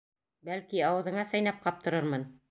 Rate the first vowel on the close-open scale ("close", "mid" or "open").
open